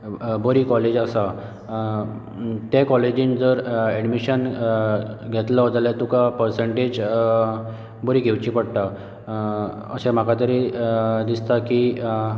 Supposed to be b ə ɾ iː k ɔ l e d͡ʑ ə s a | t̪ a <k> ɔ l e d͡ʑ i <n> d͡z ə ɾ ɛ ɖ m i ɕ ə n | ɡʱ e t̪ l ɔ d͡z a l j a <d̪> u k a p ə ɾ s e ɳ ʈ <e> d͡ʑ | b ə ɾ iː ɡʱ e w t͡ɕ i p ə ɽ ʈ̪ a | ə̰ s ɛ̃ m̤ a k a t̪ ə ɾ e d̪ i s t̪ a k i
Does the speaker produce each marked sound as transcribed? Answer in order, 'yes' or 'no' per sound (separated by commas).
yes, yes, no, yes